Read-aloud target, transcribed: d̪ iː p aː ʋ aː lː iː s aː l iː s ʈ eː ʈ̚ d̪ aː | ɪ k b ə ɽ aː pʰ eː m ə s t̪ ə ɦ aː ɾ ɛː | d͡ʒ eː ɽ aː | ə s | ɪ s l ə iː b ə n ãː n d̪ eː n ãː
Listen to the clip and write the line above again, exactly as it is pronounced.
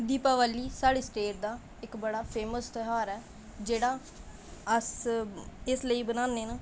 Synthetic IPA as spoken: d̪ iː p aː ʋ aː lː iː s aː ɽ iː s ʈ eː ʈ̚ d̪ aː | ɪ k b ə ɽ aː pʰ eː m ə s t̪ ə ɦ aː ɾ ɛː | d͡ʒ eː ɽ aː | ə s | ɪ s l ə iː b ə n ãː n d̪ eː n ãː